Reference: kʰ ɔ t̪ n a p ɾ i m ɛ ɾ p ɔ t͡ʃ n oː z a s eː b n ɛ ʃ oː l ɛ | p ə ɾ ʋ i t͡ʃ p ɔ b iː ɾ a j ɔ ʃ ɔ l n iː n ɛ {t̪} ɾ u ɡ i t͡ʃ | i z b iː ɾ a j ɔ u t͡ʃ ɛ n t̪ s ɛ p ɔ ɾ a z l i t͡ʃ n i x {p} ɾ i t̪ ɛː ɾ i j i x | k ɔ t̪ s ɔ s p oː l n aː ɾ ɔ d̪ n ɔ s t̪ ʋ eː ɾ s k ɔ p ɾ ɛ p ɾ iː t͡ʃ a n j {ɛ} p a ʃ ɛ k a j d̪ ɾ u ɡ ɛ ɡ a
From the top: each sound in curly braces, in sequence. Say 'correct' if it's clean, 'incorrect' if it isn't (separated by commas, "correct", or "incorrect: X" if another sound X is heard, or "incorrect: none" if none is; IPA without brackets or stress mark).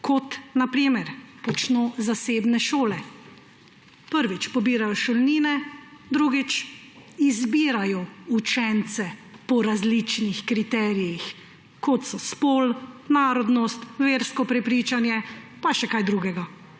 incorrect: d̪, incorrect: k, correct